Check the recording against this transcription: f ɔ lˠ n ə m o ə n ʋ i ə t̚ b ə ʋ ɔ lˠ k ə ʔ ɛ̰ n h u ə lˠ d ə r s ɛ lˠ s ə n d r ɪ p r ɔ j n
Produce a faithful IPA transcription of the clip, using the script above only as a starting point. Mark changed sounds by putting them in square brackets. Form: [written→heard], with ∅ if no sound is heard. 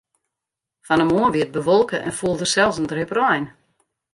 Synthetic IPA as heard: f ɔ [lˠ→∅] n ə m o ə n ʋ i ə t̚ b ə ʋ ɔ lˠ k ə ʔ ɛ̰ n [h→f] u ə lˠ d ə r s ɛ lˠ s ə n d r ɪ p r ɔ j n